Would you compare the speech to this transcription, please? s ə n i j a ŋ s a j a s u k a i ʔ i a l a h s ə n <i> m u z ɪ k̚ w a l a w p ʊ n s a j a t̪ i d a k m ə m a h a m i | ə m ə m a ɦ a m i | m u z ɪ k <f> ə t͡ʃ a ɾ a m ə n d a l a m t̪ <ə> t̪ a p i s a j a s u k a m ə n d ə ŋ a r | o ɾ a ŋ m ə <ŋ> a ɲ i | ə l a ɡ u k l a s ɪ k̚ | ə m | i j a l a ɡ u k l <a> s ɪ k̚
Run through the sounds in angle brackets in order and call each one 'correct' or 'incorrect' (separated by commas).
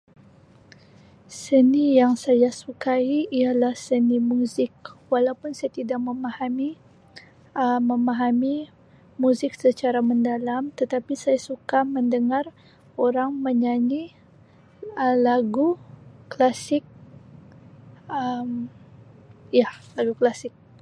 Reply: correct, incorrect, correct, incorrect, correct